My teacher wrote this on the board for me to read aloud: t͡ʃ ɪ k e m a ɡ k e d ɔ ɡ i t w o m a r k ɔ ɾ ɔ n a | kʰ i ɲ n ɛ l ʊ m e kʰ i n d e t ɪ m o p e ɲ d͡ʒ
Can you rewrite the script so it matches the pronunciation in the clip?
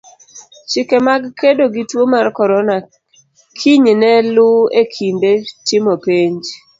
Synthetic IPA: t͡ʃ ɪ k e m a ɡ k e d o ɡ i t w o m a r k ɔ ɾ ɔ n a | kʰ i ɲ n ɛ l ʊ e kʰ i n d e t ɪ m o p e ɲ d͡ʒ